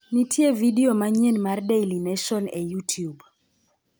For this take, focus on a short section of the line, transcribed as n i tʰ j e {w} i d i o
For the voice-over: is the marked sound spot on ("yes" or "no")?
no